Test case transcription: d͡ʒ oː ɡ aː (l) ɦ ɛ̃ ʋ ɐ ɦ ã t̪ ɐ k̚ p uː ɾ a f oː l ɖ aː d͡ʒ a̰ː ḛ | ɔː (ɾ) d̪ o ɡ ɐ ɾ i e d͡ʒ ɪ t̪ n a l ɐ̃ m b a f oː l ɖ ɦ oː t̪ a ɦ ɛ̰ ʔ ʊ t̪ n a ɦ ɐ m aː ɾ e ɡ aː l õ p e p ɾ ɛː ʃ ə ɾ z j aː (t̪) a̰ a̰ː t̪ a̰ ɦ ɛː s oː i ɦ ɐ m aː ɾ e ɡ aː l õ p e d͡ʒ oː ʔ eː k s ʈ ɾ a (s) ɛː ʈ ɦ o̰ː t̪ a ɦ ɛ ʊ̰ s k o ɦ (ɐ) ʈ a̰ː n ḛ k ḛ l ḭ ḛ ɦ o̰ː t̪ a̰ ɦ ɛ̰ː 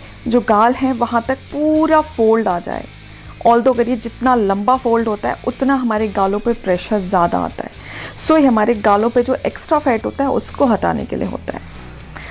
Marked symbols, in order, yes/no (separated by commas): yes, no, no, no, yes